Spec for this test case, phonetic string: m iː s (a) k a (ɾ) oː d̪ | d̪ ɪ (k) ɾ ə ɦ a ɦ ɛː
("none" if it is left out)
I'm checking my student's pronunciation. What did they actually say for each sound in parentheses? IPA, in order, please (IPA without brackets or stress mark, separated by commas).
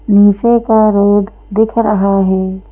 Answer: e, ɾ, kʰ